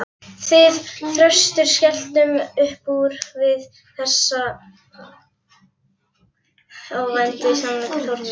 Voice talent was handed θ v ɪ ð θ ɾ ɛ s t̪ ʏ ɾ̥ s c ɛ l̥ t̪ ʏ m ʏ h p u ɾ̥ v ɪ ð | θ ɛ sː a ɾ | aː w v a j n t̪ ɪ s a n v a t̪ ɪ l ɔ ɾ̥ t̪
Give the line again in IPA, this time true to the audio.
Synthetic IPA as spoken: θ v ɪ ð θ ɾ œ s t̪ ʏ ɾ̥ s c ɛ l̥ t̪ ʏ m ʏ h p u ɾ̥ v ɪ ð | θ ɛ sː a | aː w v a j n t̪ ɪ s a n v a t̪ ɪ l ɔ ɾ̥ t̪